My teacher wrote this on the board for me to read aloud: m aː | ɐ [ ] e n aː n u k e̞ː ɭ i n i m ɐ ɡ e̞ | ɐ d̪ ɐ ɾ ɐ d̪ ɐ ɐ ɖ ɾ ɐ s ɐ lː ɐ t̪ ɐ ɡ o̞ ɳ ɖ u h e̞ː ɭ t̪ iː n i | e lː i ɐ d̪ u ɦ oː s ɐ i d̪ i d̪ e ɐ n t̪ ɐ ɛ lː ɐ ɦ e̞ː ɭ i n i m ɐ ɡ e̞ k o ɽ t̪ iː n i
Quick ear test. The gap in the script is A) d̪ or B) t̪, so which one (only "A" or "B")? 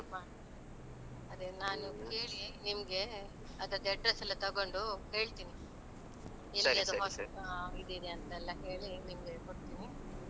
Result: A